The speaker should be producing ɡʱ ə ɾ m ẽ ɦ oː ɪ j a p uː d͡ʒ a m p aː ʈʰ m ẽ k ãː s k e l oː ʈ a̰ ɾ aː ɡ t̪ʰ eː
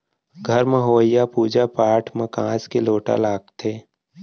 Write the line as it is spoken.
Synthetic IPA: ɡʱ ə ɾ m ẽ ɦ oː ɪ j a p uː d͡ʒ a p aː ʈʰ m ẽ k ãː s k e l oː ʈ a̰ l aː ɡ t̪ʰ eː